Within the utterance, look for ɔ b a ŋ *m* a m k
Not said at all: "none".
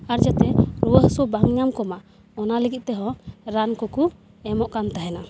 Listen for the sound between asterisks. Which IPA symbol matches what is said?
ɲ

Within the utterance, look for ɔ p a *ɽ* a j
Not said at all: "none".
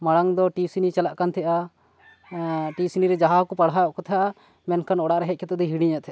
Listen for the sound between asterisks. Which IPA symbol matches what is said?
ɽ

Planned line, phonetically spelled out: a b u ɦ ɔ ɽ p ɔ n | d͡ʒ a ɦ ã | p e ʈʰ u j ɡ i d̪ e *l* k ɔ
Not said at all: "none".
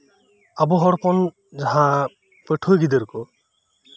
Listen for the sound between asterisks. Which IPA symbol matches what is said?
ɾ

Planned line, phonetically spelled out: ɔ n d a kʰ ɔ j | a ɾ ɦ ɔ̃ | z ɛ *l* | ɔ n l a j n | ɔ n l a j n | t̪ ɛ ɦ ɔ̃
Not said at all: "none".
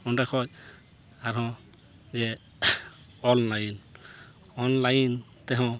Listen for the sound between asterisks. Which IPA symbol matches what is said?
none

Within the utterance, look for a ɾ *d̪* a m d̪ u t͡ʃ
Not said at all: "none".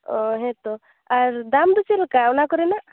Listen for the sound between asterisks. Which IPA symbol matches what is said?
d̪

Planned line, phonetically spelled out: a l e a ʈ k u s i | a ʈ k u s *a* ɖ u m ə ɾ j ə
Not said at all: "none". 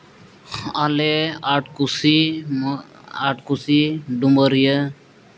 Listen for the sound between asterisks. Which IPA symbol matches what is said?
i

